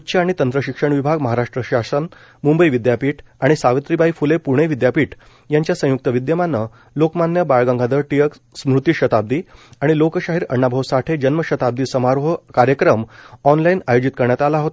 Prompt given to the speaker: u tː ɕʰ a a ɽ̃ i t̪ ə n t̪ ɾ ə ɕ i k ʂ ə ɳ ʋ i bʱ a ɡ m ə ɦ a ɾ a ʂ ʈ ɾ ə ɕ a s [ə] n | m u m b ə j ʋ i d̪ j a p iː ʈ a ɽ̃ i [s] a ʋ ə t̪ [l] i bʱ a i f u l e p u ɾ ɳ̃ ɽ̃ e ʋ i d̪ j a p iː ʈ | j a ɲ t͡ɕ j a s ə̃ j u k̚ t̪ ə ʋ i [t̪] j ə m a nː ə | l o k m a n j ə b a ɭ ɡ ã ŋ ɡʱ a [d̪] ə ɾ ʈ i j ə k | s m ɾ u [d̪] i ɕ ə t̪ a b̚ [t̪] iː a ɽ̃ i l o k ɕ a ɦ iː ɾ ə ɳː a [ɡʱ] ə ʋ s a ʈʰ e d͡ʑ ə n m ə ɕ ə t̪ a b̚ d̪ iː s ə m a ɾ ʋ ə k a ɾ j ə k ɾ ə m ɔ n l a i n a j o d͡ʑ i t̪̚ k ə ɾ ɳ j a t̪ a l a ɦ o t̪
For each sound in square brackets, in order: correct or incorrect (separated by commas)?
correct, correct, incorrect, incorrect, correct, incorrect, incorrect, incorrect